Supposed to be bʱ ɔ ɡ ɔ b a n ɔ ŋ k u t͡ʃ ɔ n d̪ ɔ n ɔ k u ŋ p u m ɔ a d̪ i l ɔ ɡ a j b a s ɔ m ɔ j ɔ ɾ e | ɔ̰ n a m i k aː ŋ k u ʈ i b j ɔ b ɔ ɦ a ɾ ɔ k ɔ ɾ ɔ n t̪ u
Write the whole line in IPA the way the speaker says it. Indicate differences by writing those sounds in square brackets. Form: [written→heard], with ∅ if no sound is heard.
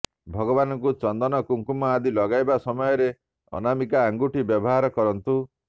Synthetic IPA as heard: bʱ ɔ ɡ ɔ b a n ɔ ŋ k u t͡ʃ ɔ n d̪ ɔ n ɔ k u ŋ [p→k] u m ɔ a d̪ i l ɔ ɡ a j b a s ɔ m ɔ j ɔ ɾ e | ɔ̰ n a m i k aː ŋ [k→ɡ] u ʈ i b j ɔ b ɔ ɦ a ɾ ɔ k ɔ ɾ ɔ n t̪ u